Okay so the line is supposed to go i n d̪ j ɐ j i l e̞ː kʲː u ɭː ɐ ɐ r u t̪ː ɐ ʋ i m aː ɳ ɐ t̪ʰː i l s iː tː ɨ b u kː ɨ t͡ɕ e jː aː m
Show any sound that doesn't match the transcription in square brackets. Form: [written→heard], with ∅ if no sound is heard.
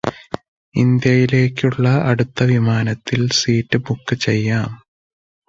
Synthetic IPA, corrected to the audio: i n d̪ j ɐ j i l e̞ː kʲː u ɭː ɐ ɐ [r→ɽ] u t̪ː ɐ ʋ i m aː [ɳ→n] ɐ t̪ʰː i l s iː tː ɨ b u kː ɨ t͡ɕ e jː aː m

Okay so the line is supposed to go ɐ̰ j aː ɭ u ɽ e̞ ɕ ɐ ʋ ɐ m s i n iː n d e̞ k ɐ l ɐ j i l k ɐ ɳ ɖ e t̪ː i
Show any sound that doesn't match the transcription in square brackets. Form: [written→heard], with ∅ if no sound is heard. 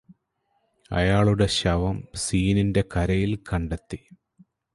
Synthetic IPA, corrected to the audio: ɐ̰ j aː ɭ u ɽ e̞ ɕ ɐ ʋ ɐ m s [i→iː] n [iː→i] n d e̞ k ɐ [l→ɾ] ɐ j i l k ɐ ɳ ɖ e t̪ː i

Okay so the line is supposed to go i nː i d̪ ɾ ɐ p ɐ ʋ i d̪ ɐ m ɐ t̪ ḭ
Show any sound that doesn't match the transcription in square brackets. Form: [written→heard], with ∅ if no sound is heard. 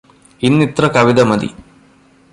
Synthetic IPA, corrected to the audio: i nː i [d̪→t̪] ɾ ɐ [p→k] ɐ ʋ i d̪ ɐ m ɐ [t̪→d̪] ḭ

